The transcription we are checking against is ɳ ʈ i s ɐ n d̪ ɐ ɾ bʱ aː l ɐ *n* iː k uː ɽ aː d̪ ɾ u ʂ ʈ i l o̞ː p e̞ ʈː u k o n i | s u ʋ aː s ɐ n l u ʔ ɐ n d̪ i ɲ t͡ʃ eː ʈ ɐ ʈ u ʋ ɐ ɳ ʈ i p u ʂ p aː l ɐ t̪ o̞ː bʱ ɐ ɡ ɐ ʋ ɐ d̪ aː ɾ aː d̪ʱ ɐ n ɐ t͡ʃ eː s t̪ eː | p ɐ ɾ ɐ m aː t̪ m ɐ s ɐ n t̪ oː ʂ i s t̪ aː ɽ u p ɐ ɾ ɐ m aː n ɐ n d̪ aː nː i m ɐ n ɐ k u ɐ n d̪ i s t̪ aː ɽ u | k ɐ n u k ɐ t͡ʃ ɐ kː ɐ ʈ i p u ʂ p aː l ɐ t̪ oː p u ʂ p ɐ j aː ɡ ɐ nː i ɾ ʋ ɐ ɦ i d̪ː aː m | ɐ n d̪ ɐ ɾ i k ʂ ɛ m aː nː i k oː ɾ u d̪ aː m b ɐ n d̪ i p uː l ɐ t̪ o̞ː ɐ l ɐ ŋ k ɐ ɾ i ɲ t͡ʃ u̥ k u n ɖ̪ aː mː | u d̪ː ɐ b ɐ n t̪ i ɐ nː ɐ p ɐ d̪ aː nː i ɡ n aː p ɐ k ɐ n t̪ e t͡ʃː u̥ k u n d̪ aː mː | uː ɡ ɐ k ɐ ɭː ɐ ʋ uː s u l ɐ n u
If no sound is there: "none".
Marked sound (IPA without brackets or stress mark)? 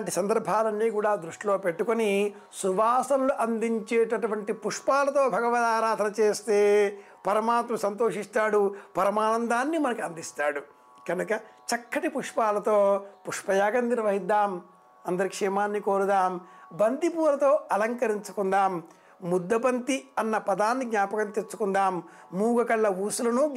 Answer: nː